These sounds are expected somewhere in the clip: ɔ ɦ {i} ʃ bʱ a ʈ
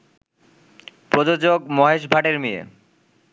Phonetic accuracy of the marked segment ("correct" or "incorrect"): incorrect